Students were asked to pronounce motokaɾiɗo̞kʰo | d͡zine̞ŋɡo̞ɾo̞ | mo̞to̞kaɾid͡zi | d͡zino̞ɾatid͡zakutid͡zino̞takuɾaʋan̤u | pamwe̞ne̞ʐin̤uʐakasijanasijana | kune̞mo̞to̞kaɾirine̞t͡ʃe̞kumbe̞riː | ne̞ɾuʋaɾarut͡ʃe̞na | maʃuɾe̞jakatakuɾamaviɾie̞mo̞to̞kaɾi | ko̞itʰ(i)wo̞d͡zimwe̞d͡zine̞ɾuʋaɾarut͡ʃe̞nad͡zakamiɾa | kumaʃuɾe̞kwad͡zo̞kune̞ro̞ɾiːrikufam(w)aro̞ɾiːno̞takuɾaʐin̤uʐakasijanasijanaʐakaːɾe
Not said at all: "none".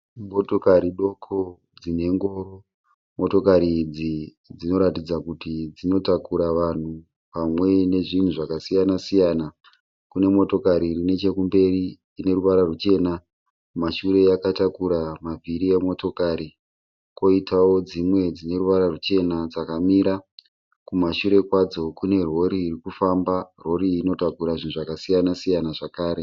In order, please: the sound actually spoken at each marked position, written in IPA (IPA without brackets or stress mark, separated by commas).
a, b